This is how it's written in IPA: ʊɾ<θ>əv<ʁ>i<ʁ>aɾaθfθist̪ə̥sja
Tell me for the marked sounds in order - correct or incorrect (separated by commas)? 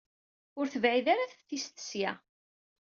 correct, incorrect, incorrect